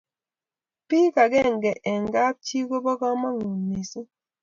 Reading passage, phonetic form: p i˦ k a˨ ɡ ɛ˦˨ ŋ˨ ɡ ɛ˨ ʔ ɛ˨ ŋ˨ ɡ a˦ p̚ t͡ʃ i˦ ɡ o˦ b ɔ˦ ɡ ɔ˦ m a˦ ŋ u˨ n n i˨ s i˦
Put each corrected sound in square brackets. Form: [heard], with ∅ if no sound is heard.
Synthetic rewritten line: p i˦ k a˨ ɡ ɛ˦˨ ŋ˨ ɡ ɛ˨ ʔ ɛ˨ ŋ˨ ɡ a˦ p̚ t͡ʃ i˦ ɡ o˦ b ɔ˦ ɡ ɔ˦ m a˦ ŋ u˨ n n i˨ s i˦